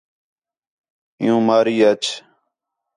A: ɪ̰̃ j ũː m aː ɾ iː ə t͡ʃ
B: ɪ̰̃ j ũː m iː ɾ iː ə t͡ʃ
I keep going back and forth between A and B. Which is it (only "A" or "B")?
A